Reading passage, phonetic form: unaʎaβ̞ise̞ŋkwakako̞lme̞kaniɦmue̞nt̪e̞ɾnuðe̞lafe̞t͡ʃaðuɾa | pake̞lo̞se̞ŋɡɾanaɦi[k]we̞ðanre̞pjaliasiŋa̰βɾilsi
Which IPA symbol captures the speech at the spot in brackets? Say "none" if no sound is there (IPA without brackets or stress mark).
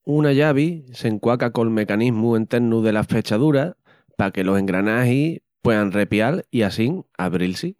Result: p